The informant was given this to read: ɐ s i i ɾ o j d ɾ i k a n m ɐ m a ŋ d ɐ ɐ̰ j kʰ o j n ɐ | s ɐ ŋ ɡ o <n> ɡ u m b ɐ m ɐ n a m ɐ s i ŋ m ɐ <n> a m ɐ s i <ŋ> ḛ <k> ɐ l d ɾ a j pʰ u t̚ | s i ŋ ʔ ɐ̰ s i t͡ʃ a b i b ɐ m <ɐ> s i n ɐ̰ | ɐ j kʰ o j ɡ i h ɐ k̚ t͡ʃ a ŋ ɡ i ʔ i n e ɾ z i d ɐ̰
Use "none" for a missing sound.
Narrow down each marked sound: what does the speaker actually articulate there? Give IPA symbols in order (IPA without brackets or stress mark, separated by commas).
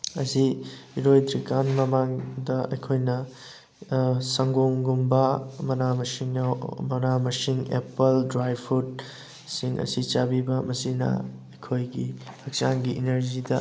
ŋ, n, ŋ, p, ɐ